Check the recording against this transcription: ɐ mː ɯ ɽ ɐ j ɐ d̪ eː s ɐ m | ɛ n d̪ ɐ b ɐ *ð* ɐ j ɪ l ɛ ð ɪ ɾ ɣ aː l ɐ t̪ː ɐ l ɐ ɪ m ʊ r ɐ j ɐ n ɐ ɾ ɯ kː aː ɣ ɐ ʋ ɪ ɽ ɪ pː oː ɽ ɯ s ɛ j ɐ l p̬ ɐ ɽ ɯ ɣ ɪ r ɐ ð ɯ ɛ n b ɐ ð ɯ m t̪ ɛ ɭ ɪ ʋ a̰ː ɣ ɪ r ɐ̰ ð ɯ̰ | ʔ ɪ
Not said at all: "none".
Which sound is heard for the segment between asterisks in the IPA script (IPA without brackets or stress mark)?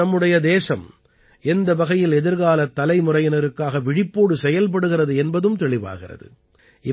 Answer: ɣ